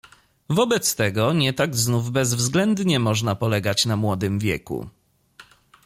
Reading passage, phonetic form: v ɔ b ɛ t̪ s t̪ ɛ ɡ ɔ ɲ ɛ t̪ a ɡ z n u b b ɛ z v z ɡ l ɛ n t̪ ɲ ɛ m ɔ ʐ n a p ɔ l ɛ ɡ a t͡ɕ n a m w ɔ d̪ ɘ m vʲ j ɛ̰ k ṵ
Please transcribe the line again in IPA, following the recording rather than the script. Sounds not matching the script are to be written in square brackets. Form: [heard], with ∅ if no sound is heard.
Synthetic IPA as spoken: v ɔ b ɛ t̪ s t̪ ɛ ɡ ɔ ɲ ɛ t̪ a ɡ z n u [v] b ɛ z v z ɡ l ɛ n [d̪] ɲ ɛ m ɔ ʐ n a p ɔ l ɛ ɡ a t͡ɕ n a m w ɔ d̪ ɘ m vʲ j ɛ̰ k ṵ

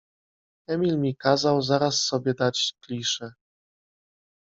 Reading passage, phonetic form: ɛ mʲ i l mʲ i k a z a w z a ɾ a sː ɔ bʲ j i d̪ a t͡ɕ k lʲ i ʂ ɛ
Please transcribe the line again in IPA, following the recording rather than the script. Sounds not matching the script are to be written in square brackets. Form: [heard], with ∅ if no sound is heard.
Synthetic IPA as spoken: ɛ mʲ i l mʲ i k a z a w z a ɾ a sː ɔ bʲ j [ɛ] d̪ a t͡ɕ k lʲ i ʂ ɛ

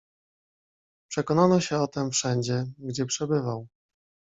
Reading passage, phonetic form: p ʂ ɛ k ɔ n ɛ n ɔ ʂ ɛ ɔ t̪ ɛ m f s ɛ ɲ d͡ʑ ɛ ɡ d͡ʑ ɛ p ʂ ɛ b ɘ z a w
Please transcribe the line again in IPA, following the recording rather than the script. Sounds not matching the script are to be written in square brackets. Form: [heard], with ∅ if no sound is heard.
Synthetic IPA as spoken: p ʂ ɛ k ɔ n [a] n ɔ [ɕ] ɛ ɔ t̪ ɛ m f [ʂ] ɛ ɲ d͡ʑ ɛ ɡ d͡ʑ ɛ p ʂ ɛ b ɘ [v] a w

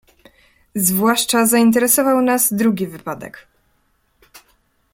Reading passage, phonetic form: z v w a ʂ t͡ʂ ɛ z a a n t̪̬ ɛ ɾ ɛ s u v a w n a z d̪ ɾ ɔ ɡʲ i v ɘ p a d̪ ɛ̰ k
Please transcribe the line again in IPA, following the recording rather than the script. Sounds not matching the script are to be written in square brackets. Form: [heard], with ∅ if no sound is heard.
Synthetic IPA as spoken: z v w a ʂ t͡ʂ [a] z a [i] n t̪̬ ɛ ɾ ɛ s [ɔ] v a w n a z d̪ ɾ [u] ɡʲ i v ɘ p a d̪ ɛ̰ k

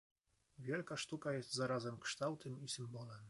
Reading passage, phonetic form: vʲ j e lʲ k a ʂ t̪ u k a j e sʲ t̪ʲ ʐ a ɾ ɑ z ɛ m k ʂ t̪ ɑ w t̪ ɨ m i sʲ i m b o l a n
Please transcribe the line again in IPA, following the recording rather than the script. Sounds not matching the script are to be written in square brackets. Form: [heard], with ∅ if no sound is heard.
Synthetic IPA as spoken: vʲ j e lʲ k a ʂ t̪ u k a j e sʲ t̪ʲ [z] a ɾ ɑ z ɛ m k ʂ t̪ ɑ w t̪ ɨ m i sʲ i m b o l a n

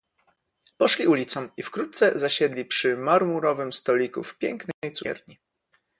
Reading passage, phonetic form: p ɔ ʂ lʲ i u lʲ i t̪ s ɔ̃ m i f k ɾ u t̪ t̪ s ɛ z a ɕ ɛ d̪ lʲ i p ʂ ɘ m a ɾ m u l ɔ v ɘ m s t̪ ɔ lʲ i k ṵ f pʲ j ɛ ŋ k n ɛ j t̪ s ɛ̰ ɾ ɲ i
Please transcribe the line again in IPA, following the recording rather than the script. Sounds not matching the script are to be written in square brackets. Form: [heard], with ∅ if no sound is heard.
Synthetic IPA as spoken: p ɔ ʂ lʲ i u lʲ i t̪ s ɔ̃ m i f k ɾ u t̪ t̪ s ɛ z a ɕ ɛ d̪ lʲ i p ʂ ɘ m a ɾ m u [ɾ] ɔ v ɘ m s t̪ ɔ lʲ i k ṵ f pʲ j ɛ ŋ k n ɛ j t̪ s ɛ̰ ɾ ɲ i

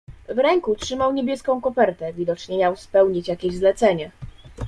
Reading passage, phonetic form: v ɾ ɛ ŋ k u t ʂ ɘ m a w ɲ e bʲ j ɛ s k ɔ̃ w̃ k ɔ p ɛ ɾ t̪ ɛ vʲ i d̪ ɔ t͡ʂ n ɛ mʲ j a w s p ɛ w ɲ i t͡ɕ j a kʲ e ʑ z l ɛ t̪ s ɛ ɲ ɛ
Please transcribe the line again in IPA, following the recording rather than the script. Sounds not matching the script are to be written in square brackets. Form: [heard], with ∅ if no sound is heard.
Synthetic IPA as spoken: v ɾ ɛ ŋ k u t ʂ ɘ m a w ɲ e bʲ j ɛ s k ɔ̃ w̃ k ɔ p ɛ ɾ t̪ ɛ vʲ i d̪ ɔ t͡ʂ [ɲ] ɛ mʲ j a w s p ɛ w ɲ i t͡ɕ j a kʲ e ʑ z l ɛ t̪ s ɛ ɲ ɛ

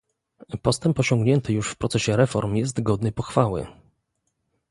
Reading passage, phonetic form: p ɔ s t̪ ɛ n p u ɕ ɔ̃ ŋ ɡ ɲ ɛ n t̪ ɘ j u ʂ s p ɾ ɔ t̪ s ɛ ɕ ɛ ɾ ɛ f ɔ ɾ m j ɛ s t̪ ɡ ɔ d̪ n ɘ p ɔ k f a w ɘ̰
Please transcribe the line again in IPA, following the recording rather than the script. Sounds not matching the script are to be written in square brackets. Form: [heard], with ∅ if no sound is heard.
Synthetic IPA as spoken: p ɔ s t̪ ɛ [m] p [ɔ] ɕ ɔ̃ ŋ ɡ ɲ ɛ n t̪ ɘ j u ʂ [f] p ɾ ɔ t̪ s ɛ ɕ ɛ ɾ ɛ f ɔ ɾ m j ɛ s t̪ ɡ ɔ d̪ n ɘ p ɔ [x] f a w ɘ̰

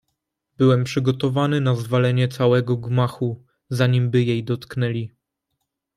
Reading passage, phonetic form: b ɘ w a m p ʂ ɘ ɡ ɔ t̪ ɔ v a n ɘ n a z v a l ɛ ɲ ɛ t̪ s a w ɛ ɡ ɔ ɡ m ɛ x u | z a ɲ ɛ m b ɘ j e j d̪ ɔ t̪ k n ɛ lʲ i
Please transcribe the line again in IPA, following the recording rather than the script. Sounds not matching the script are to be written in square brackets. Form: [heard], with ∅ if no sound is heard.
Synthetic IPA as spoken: b ɘ w [ɛ] m p ʂ ɘ ɡ ɔ t̪ ɔ v a n ɘ n a z v a l ɛ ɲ ɛ t̪ s a w ɛ ɡ ɔ ɡ m [a] x u | z a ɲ [i] m b ɘ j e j d̪ ɔ t̪ k n ɛ lʲ i

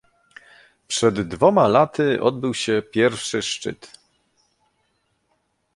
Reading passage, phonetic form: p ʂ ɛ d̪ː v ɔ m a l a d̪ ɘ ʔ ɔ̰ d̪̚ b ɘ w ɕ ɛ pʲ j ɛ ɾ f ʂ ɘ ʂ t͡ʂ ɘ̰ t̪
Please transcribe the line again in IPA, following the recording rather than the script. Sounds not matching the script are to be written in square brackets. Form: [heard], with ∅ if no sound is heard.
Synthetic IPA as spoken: p ʂ ɛ d̪ː v ɔ m a l a [t̪] ɘ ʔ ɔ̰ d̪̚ b ɘ w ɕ ɛ pʲ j ɛ ɾ f ʂ ɘ ʂ t͡ʂ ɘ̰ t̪

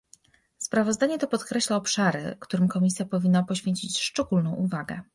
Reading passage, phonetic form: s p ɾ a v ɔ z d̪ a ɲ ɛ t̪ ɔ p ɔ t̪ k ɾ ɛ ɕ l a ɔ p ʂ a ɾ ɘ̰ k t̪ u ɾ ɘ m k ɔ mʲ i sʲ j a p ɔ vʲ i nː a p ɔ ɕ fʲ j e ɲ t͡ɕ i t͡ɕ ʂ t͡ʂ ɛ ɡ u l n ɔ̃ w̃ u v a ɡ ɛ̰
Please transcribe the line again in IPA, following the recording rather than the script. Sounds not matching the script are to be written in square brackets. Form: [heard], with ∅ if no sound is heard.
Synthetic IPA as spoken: s p ɾ a v ɔ z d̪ a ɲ ɛ t̪ ɔ p ɔ t̪ k ɾ ɛ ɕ l a ɔ p ʂ a ɾ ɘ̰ k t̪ u ɾ ɘ m k ɔ mʲ i sʲ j a p ɔ vʲ i nː a p ɔ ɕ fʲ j e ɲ t͡ɕ i t͡ɕ ʂ t͡ʂ ɛ ɡ u l n ɔ̃ w̃ u v a ɡ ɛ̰

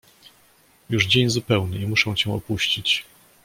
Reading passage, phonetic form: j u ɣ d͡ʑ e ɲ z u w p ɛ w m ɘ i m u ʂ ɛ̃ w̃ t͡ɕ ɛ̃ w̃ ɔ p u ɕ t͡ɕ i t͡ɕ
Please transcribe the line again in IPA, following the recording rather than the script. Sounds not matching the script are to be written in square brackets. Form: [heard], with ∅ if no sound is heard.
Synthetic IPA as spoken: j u [ʐ] d͡ʑ e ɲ z u [∅] p ɛ w [n] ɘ i m u ʂ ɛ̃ w̃ t͡ɕ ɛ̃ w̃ ɔ p u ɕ t͡ɕ i t͡ɕ

